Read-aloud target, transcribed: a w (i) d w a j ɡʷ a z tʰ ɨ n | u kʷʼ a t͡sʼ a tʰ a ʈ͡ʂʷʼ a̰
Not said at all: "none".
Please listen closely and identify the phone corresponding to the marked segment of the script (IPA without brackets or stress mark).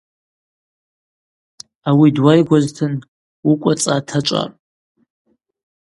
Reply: i